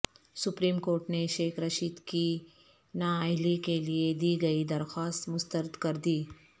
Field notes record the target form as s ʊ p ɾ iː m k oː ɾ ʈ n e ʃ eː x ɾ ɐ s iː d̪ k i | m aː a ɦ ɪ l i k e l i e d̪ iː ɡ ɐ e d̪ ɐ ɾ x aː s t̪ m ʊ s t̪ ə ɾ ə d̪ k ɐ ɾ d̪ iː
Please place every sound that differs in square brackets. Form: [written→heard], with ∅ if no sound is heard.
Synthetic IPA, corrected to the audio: s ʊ p ɾ iː m k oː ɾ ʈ n e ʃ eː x ɾ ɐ [s→ʃ] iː d̪ k i | [m→n] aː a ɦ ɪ l i k e l i e d̪ iː ɡ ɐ [e→i] d̪ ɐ ɾ x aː s t̪ m ʊ s t̪ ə ɾ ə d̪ k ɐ ɾ d̪ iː